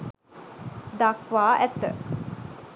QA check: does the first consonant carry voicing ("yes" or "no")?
yes